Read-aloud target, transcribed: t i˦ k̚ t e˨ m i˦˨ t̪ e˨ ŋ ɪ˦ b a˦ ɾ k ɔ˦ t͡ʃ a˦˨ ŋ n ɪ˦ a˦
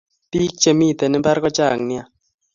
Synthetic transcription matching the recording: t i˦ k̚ t͡ʃ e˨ m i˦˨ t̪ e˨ n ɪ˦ b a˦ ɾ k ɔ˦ t͡ʃ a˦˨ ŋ n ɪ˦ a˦